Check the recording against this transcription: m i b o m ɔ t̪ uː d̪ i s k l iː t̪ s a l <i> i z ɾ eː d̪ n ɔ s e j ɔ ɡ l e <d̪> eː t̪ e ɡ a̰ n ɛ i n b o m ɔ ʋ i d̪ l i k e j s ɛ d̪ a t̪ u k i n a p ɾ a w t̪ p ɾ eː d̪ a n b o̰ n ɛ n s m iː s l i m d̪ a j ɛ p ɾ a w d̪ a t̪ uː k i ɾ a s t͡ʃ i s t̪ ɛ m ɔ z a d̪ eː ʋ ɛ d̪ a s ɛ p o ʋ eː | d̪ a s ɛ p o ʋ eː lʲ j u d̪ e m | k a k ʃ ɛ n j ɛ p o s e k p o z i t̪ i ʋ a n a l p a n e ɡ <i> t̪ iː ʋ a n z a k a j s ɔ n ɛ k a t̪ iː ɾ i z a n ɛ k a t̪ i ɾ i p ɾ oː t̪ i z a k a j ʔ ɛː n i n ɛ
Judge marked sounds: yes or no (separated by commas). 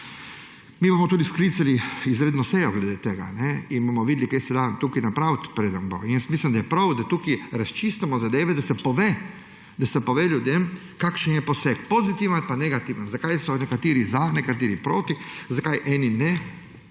yes, yes, no